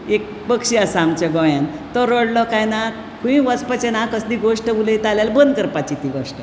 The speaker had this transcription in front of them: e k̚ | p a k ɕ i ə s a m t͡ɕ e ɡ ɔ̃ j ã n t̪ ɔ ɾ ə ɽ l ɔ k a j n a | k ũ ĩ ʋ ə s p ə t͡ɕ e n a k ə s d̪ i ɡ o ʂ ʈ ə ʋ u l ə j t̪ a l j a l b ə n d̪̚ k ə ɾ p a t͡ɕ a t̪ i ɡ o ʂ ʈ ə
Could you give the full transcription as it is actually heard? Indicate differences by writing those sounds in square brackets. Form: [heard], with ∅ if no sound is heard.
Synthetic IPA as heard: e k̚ | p [ə] k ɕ i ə s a m t͡ɕ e ɡ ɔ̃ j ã n t̪ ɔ ɾ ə ɽ l ɔ k a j n a | k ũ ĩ ʋ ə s p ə t͡ɕ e n a k ə s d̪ i ɡ o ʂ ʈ ə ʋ u l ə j t̪ a l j a l b ə n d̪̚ k ə ɾ p a t͡ɕ [i] t̪ i ɡ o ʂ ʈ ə

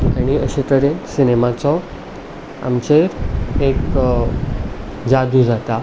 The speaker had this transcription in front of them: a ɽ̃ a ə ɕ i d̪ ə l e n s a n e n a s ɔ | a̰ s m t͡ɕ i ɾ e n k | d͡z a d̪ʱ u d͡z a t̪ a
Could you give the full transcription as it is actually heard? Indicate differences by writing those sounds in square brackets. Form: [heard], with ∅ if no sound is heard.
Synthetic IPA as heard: a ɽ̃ [i] ə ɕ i [t̪] ə [ɾ] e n s [i] n e [m] a [t͡s] ɔ | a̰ [∅] m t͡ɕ [e] ɾ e [∅] k | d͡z a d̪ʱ u d͡z a t̪ a

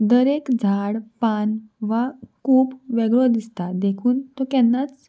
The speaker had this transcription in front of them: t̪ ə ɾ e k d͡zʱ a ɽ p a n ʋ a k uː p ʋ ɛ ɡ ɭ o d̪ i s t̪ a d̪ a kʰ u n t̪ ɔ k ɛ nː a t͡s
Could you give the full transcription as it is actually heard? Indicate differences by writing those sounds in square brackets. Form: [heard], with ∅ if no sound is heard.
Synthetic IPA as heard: [d̪] ə ɾ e k d͡zʱ a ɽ p a n ʋ a k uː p ʋ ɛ ɡ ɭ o d̪ i s t̪ a d̪ [e] kʰ [uː] n t̪ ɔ k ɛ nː a t͡s

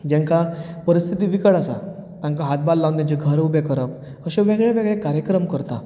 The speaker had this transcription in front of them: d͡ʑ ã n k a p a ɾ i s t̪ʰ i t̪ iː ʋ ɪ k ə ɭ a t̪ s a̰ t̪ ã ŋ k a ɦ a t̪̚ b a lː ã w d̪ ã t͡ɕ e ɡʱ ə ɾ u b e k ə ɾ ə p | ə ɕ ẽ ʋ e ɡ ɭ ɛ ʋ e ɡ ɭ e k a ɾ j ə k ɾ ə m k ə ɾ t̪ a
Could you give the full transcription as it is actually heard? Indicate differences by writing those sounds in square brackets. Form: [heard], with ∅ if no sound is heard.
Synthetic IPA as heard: d͡ʑ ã [ŋ] k a p [ə] ɾ i s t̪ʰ i t̪ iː ʋ [i] k ə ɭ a [∅] s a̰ t̪ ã ŋ k a ɦ a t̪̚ b a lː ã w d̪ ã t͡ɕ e ɡʱ ə ɾ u b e k ə ɾ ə p | ə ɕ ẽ ʋ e ɡ ɭ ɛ ʋ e ɡ ɭ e k a ɾ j ə k ɾ ə m k ə ɾ t̪ a

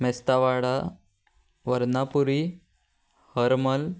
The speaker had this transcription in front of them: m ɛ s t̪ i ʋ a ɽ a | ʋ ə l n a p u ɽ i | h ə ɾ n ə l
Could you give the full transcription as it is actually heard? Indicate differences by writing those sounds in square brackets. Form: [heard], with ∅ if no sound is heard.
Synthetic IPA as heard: m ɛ s t̪ [a] ʋ a ɽ a | ʋ ə [ɾ] n a p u [ɾ] i | h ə ɾ [m] ə l

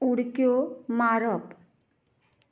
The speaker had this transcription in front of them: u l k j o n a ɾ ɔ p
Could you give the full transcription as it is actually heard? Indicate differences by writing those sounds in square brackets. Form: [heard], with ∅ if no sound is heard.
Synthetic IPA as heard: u [ɽ] k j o [m] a ɾ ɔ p

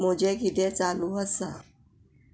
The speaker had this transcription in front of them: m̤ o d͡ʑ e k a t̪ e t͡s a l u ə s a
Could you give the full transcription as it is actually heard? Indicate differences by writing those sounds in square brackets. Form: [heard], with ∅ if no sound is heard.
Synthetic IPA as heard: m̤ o d͡ʑ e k [i] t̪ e t͡s a l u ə s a

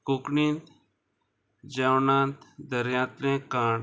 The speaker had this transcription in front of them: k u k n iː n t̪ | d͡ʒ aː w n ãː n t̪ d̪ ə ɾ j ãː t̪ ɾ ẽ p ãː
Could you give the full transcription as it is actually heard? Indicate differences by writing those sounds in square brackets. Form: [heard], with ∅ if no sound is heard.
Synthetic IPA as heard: k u k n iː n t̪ | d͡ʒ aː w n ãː n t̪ d̪ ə ɾ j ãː t̪ ɾ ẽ [k] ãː

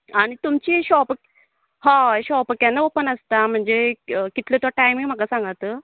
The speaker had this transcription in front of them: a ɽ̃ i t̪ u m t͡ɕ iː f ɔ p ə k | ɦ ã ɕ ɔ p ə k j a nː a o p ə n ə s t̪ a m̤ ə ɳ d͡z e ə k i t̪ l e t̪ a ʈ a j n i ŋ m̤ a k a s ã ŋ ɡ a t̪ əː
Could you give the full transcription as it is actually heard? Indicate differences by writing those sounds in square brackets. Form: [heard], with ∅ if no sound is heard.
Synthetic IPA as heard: a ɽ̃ i t̪ u m t͡ɕ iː [ɕ] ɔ p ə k | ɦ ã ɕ ɔ p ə k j a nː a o p ə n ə s t̪ a m̤ ə ɳ d͡z e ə k i t̪ l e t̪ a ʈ a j [m] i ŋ m̤ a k a s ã ŋ ɡ a t̪ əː

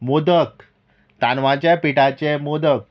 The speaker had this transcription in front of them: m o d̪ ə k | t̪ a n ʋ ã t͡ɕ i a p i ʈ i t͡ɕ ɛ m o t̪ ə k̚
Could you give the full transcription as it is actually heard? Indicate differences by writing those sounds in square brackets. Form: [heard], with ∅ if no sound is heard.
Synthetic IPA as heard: m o d̪ ə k | t̪ a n ʋ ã t͡ɕ [j] a p i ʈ [a] t͡ɕ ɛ m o [d̪] ə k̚

